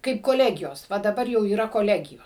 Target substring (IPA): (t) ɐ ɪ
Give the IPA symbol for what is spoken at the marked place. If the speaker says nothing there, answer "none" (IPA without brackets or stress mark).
k